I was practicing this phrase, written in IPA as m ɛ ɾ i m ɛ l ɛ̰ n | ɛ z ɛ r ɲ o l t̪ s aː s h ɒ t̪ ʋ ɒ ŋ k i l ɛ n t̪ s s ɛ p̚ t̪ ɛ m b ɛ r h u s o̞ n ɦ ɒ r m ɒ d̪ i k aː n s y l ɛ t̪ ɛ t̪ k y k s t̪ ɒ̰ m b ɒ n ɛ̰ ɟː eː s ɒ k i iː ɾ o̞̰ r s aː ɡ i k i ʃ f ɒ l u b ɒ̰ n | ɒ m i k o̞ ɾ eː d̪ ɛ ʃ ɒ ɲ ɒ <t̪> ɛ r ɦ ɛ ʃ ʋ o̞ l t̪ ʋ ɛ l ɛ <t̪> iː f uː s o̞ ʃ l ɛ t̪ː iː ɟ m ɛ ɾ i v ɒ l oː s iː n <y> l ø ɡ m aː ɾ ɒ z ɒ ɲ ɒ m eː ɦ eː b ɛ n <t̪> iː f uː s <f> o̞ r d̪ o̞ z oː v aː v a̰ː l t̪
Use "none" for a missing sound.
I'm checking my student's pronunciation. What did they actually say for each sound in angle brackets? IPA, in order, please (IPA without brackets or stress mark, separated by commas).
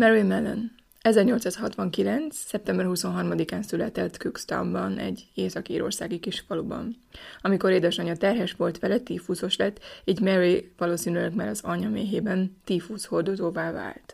t̪, t̪, y, t̪, h